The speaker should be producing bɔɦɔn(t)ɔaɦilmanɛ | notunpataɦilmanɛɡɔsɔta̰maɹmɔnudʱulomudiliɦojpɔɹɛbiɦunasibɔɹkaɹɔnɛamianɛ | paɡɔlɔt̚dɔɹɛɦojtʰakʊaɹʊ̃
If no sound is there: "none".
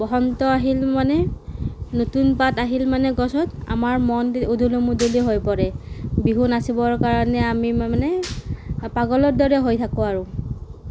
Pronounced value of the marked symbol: t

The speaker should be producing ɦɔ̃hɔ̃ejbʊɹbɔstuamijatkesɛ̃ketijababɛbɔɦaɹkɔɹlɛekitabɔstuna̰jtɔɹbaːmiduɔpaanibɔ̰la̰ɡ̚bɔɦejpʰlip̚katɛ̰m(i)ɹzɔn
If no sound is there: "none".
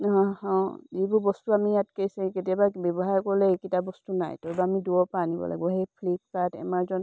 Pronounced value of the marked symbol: a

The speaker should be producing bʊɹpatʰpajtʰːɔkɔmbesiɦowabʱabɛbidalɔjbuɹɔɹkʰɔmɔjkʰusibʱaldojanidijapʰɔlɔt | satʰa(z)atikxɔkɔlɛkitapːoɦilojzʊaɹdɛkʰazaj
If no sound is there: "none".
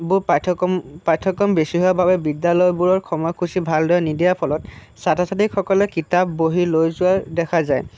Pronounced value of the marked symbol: s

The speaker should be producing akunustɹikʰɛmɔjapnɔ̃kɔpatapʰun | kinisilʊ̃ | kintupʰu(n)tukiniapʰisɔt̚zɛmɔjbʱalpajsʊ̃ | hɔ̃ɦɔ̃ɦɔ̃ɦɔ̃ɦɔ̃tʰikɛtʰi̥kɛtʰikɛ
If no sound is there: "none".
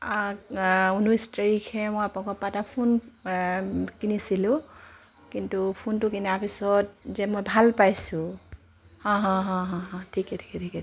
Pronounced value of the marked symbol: n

